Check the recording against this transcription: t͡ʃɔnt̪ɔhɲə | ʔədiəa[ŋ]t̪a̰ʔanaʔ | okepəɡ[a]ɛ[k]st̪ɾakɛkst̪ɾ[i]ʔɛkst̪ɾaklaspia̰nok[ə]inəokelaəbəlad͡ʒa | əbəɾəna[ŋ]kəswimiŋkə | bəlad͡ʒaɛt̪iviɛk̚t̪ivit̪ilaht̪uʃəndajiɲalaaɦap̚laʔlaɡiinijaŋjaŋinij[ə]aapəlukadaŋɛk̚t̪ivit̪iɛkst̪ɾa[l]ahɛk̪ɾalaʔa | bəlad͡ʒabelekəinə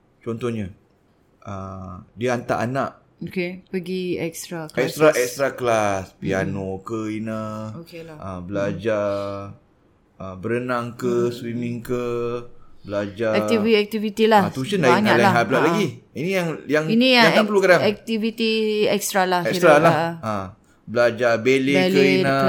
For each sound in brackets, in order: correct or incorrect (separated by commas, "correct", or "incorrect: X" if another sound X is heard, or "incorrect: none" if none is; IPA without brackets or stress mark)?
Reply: incorrect: n, incorrect: i, correct, incorrect: a, correct, correct, incorrect: a, correct